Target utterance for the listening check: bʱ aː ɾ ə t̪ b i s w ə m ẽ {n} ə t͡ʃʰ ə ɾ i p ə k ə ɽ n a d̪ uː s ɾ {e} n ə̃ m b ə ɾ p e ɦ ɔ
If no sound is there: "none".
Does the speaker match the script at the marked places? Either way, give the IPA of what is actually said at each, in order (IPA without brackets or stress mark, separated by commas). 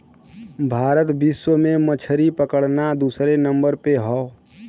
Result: m, e